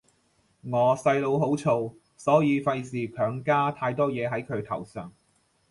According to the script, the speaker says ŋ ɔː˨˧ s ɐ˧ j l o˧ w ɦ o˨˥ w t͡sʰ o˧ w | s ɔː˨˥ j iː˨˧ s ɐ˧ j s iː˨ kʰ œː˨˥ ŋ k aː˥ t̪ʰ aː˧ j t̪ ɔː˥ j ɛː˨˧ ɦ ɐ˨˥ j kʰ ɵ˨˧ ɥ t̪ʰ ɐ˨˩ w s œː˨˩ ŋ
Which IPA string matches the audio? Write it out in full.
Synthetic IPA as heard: ŋ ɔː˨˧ s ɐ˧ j l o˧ w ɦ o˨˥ w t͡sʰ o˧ w | s ɔː˨˥ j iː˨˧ f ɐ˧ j s iː˨ kʰ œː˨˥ ŋ k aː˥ t̪ʰ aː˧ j t̪ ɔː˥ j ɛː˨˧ ɦ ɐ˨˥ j kʰ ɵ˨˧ ɥ t̪ʰ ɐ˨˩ w s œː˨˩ ŋ